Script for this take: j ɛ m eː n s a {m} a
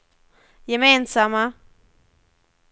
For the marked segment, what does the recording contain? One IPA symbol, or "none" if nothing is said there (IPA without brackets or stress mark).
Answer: m